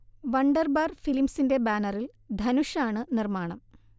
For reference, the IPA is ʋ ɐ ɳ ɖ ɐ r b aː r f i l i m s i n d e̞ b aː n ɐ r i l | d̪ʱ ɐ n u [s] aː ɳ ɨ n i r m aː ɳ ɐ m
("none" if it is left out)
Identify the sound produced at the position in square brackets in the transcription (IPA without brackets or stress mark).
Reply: ʂ